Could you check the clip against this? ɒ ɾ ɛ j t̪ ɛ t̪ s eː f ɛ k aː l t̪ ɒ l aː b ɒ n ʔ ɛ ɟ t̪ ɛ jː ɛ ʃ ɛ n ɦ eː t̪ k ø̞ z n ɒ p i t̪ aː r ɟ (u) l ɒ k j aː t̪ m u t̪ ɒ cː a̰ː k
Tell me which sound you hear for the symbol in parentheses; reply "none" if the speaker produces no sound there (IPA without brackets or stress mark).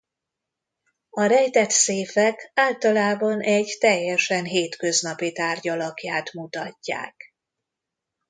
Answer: ɒ